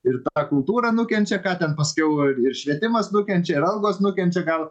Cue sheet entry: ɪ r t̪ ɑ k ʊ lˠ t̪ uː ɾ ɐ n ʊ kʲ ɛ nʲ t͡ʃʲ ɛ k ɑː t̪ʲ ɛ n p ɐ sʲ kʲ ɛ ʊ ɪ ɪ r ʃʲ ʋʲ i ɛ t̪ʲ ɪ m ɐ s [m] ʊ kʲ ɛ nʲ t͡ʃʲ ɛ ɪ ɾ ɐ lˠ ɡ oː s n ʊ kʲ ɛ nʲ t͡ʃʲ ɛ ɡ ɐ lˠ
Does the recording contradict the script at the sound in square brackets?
yes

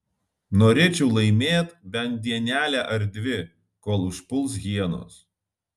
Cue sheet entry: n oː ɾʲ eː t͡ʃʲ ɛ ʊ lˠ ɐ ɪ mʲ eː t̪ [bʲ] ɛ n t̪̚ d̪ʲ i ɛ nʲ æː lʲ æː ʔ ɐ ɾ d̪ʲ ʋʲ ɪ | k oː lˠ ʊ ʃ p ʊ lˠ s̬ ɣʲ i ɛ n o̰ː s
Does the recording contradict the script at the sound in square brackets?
no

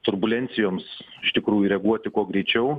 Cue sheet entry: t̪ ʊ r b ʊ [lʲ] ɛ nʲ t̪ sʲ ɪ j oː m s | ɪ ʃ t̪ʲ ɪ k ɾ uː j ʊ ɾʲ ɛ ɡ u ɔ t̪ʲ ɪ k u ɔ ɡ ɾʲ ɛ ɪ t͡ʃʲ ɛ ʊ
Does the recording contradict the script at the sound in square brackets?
no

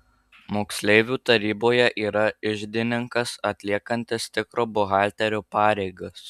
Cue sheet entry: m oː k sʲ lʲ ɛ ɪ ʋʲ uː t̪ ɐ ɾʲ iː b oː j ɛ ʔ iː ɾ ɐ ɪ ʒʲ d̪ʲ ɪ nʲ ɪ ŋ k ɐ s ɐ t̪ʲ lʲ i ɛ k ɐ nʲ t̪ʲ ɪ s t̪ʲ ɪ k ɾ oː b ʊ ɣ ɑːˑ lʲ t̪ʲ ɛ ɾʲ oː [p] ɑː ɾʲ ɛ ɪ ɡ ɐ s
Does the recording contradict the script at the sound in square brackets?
no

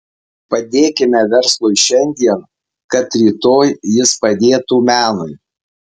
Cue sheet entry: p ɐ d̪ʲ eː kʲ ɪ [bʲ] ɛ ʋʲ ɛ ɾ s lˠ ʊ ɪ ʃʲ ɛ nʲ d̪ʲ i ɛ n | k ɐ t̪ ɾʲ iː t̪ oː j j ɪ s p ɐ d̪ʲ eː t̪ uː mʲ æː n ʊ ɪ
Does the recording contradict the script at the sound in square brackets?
yes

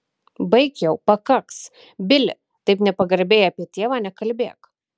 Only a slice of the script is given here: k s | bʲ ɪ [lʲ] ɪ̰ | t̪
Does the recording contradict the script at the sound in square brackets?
no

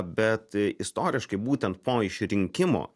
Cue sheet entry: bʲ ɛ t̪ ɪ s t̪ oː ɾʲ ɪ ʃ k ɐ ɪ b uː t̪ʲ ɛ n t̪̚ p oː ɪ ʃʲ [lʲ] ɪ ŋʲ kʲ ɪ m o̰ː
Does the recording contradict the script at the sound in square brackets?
yes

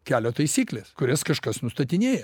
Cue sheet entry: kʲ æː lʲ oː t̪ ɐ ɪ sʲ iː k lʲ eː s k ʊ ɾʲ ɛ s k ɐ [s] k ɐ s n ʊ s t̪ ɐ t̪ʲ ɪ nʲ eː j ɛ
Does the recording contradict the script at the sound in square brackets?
yes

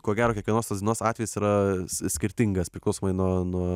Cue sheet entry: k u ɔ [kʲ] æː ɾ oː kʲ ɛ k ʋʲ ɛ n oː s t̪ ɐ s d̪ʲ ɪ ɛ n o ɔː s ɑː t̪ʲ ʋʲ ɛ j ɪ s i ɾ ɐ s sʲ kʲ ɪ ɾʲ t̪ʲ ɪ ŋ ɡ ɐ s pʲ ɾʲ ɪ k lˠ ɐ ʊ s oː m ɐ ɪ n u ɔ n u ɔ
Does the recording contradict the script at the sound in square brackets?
yes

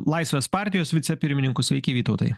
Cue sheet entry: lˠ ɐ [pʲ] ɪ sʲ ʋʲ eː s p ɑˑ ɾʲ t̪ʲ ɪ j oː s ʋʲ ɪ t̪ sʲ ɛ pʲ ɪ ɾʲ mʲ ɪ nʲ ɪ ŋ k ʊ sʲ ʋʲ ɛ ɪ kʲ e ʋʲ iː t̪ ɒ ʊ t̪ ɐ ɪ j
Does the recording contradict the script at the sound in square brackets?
yes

